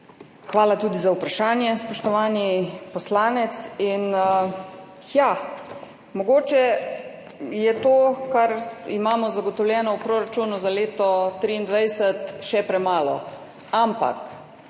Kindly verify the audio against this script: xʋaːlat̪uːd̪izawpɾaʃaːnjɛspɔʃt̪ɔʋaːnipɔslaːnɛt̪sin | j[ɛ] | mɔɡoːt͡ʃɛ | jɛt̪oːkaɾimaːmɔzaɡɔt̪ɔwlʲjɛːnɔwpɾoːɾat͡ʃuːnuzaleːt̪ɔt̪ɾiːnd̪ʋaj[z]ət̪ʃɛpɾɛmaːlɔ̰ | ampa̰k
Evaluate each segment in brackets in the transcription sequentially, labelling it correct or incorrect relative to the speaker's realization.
incorrect, incorrect

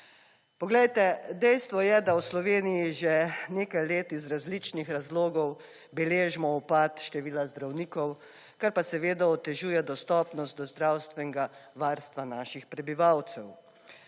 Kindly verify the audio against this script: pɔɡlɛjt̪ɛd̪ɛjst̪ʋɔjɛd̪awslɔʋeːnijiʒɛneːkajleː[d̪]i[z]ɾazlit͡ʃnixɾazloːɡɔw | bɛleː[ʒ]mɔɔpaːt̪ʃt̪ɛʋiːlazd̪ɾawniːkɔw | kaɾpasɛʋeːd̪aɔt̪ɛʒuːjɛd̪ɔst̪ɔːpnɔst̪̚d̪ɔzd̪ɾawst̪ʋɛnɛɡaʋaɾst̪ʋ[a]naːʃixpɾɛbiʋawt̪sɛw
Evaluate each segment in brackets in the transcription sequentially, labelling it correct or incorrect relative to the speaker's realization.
incorrect, correct, correct, correct

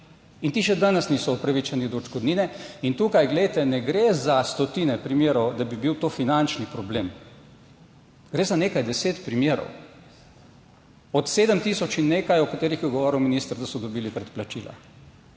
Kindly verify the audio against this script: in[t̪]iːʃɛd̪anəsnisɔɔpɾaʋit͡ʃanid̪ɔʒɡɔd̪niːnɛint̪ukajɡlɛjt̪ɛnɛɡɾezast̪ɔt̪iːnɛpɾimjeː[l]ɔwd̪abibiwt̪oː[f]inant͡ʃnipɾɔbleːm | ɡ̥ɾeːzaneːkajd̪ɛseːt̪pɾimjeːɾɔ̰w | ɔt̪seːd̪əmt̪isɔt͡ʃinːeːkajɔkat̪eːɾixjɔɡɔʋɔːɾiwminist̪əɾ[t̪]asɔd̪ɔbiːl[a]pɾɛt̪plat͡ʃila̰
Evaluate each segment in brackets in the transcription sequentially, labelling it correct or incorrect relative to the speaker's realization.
correct, incorrect, correct, incorrect, incorrect

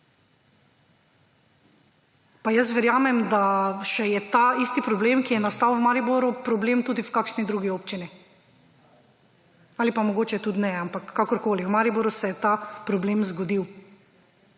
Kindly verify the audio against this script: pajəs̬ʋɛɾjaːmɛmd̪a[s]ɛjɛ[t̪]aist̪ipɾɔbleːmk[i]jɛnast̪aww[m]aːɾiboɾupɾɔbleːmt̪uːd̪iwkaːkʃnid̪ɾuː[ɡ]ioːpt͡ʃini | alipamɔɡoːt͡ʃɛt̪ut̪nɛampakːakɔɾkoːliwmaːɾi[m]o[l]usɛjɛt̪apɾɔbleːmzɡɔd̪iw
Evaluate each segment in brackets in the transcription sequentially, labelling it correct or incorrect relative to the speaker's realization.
incorrect, correct, correct, correct, correct, incorrect, incorrect

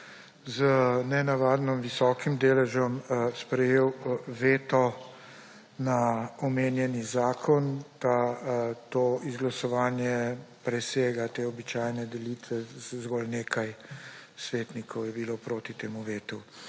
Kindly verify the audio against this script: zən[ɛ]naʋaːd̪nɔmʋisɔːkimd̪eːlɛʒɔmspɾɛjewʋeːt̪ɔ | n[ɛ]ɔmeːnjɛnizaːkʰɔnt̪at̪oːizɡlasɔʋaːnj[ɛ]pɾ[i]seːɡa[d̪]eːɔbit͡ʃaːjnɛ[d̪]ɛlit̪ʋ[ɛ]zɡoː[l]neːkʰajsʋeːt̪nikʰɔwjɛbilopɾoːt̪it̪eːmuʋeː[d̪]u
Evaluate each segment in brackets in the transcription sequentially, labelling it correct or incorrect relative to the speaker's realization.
correct, incorrect, correct, incorrect, incorrect, correct, correct, correct, incorrect

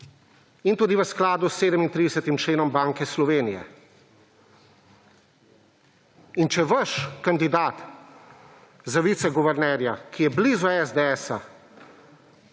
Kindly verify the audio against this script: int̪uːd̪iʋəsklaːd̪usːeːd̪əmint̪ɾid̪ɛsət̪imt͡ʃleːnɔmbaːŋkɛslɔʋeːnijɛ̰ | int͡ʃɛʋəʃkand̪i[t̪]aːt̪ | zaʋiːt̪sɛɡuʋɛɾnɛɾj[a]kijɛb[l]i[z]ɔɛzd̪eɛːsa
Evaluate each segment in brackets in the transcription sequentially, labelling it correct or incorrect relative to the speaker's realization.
incorrect, correct, correct, correct

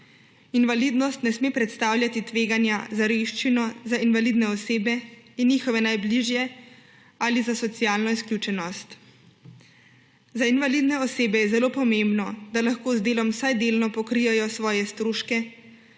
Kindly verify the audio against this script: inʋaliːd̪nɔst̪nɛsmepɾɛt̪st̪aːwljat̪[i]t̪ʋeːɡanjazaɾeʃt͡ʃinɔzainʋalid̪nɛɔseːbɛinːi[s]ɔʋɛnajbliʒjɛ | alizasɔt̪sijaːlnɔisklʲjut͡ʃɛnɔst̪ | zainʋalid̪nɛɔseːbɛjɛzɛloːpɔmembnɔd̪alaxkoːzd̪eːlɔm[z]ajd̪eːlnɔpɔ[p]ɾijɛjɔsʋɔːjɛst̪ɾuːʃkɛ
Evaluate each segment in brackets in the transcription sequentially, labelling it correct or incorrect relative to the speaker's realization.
correct, incorrect, incorrect, incorrect

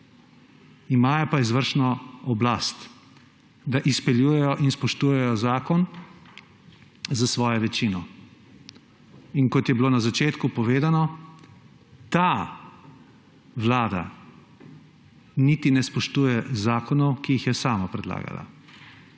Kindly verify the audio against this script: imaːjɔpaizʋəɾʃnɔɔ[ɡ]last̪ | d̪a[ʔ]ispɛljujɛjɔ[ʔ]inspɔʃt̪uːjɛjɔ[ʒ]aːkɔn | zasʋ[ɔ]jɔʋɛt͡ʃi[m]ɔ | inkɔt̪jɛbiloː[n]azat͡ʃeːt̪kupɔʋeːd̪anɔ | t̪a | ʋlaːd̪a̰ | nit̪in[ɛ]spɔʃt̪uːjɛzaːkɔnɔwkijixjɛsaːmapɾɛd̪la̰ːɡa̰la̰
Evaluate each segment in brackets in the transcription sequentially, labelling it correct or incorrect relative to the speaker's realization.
incorrect, correct, correct, incorrect, incorrect, incorrect, correct, correct

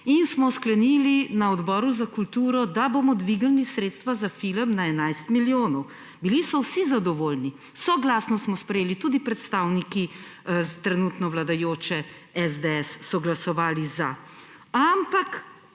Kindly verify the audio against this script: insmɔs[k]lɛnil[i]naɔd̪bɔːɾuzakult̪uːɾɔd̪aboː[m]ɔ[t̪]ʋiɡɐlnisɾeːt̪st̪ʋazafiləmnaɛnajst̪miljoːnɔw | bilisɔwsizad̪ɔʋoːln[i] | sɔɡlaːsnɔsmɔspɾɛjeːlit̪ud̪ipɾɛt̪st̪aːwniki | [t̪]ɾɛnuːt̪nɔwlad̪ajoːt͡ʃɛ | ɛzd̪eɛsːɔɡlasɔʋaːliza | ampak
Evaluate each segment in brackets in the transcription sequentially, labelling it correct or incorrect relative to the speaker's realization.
correct, correct, correct, incorrect, correct, correct

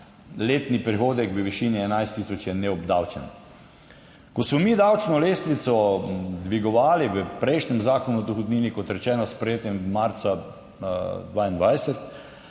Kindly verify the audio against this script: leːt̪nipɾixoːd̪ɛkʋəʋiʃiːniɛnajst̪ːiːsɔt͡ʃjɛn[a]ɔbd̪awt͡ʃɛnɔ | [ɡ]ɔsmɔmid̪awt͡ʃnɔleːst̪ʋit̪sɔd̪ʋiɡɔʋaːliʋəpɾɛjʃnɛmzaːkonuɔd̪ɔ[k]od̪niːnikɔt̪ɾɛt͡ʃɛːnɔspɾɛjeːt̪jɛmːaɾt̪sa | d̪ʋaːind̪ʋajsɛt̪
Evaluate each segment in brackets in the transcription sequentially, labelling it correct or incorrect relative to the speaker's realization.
incorrect, incorrect, incorrect

